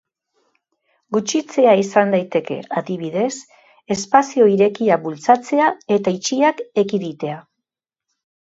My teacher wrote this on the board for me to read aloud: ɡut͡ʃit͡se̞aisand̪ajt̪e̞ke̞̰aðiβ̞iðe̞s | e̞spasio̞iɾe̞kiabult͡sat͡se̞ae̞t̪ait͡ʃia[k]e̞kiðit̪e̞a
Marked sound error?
no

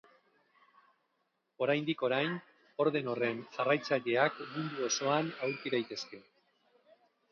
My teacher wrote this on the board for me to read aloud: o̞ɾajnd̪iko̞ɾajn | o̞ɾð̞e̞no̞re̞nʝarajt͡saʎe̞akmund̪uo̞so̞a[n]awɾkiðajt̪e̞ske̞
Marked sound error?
no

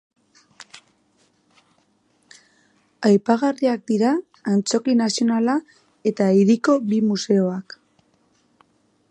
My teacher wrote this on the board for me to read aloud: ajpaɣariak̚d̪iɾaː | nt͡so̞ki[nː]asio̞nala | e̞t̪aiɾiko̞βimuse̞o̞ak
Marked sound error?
yes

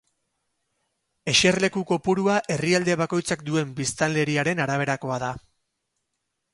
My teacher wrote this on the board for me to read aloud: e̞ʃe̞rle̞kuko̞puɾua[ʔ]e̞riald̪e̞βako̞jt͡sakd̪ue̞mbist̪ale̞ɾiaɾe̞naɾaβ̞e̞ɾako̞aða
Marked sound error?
no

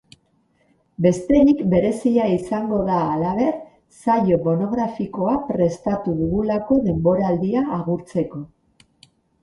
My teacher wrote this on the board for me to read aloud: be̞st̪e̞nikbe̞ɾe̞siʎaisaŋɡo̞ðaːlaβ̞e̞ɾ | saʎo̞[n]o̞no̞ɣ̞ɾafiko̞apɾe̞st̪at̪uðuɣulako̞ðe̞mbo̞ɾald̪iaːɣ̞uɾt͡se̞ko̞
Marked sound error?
yes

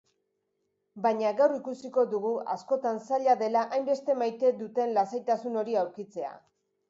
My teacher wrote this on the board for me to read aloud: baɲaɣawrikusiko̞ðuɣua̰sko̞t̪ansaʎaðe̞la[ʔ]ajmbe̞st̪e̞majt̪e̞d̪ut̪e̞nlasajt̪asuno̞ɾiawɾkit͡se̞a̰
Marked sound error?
no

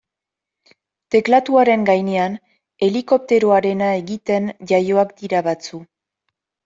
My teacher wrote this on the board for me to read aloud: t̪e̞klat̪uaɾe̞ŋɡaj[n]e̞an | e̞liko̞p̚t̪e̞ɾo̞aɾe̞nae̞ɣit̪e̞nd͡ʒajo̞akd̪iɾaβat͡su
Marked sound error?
no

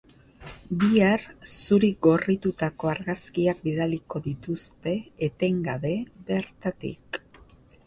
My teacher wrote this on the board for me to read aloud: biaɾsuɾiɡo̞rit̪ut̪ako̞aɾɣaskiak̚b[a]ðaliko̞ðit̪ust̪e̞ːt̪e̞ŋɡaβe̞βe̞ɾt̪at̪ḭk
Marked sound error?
yes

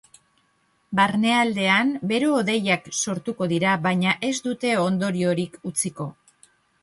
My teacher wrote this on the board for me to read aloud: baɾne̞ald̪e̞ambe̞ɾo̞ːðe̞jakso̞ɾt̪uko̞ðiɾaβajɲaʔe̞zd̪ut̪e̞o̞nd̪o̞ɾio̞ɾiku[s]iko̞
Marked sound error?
yes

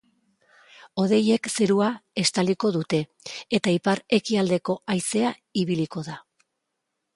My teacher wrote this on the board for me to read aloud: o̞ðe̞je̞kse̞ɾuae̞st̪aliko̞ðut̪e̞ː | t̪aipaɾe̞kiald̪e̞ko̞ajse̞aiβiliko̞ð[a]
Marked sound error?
no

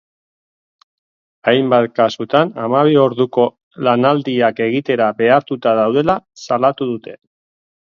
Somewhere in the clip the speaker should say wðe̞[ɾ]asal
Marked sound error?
yes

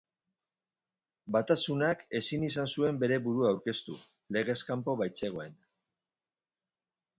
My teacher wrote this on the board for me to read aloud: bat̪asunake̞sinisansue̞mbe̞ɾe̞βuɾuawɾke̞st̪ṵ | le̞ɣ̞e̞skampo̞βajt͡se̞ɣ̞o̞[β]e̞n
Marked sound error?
yes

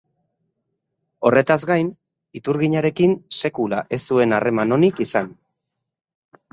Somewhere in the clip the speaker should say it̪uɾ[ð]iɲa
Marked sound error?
yes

